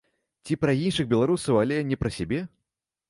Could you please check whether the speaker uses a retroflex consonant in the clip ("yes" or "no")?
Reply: yes